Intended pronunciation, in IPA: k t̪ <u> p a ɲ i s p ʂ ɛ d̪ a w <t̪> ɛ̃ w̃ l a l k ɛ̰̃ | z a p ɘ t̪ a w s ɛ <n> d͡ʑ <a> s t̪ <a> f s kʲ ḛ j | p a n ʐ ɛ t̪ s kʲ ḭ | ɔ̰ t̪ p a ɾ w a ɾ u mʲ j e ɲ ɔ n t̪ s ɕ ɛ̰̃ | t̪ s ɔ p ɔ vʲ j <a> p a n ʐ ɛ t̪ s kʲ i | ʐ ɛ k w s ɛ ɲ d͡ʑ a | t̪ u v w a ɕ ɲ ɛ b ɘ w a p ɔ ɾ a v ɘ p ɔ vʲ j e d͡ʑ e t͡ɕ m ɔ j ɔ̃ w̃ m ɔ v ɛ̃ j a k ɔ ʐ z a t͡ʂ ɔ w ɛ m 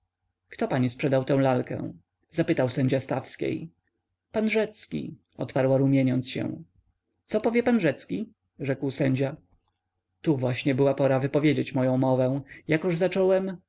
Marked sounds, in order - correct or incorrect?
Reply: incorrect: ɔ, correct, incorrect: ɲ, correct, correct, incorrect: ɛ

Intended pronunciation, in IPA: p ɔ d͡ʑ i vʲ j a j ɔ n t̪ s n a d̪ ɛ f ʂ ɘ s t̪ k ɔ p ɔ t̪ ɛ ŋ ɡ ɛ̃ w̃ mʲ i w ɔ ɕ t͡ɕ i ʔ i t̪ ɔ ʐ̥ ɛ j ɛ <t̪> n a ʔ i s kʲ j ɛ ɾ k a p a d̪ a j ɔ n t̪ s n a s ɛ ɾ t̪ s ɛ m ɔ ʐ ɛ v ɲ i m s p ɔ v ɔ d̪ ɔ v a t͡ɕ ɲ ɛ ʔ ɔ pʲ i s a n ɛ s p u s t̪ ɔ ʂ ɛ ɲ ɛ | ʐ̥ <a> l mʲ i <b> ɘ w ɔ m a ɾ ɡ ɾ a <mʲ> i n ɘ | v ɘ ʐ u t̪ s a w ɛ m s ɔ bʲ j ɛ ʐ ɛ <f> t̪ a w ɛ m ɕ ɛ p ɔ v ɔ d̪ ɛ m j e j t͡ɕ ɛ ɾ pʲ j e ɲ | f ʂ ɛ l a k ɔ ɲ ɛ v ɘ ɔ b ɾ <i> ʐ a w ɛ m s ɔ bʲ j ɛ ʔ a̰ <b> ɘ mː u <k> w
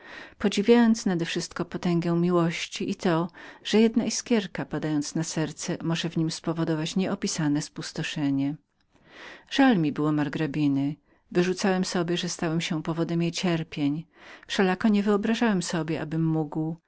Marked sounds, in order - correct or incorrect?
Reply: incorrect: d̪, correct, correct, incorrect: bʲ, incorrect: s, incorrect: a, correct, incorrect: ɡ

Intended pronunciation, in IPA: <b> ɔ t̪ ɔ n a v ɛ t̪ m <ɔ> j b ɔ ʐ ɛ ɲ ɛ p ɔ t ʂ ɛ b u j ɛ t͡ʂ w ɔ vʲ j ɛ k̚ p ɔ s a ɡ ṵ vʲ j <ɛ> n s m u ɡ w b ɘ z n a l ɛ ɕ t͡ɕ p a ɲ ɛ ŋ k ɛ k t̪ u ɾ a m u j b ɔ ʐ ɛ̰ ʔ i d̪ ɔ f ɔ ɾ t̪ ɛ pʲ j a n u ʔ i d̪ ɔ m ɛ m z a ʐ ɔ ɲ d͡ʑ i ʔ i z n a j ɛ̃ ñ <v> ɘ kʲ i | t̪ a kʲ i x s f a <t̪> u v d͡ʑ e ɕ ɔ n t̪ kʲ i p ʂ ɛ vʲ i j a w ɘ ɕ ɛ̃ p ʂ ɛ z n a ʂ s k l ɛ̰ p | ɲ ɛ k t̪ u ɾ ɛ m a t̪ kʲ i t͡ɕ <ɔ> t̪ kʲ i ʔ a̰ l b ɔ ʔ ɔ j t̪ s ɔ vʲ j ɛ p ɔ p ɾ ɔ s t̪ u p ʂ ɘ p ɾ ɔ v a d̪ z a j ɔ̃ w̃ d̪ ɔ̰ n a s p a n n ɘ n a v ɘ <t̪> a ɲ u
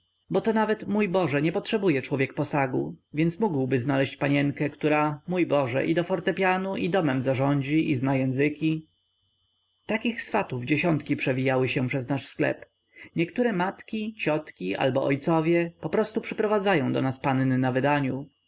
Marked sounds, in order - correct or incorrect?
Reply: correct, incorrect: u, correct, incorrect: z, correct, correct, incorrect: d̪

